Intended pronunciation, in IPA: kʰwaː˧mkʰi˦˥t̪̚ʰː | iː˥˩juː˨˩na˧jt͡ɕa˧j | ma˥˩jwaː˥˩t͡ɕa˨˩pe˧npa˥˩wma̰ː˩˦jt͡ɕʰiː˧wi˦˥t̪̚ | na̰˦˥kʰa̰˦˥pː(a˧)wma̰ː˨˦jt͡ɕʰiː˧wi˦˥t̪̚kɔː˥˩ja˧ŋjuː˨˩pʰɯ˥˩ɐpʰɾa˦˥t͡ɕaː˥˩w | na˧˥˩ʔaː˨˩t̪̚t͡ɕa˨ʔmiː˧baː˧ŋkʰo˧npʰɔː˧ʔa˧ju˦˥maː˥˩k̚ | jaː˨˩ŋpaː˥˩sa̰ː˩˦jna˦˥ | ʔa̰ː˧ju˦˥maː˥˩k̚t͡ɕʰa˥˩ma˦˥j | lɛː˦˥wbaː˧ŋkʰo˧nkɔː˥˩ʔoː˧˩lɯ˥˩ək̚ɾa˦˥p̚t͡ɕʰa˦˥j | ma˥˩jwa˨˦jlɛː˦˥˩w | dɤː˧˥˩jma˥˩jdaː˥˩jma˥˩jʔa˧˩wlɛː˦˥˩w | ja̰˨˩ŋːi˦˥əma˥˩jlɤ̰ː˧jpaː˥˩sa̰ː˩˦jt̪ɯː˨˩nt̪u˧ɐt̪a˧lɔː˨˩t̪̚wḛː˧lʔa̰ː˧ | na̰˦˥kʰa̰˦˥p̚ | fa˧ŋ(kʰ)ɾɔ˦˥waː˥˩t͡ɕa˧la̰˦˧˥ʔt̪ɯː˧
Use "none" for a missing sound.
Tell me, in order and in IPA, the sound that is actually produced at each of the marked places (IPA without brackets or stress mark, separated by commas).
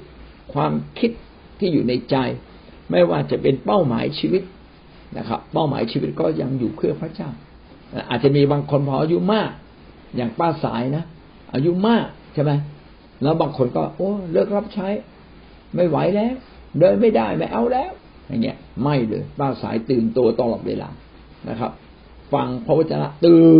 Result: a˥˩, pʰ